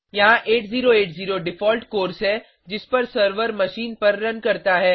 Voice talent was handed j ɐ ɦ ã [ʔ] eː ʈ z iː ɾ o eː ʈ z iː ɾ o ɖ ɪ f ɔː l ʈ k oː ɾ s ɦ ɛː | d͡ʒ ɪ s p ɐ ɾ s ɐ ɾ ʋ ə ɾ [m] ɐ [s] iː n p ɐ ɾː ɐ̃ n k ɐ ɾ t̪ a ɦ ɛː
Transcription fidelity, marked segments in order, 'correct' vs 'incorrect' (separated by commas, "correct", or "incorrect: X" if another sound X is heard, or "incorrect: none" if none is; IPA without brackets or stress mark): correct, correct, incorrect: ʃ